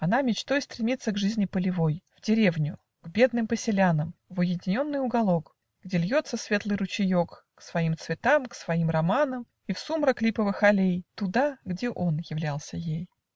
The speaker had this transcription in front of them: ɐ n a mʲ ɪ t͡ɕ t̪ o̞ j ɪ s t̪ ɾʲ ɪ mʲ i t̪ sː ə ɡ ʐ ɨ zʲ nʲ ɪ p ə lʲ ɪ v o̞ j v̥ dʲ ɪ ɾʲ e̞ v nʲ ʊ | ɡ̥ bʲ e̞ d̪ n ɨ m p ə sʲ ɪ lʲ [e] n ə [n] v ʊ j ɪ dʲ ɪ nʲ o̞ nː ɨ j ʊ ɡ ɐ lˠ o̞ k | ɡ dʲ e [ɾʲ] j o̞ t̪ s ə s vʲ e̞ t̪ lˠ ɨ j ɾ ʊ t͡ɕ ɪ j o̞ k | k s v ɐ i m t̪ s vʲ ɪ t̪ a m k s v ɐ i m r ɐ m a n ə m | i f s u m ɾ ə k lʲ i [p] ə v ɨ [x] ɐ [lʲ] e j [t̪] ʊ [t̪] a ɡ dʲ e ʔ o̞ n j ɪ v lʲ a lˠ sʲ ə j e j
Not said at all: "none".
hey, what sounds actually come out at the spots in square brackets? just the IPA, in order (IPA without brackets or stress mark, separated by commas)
a, m, lʲ, p, x, lʲ, t̪, d̪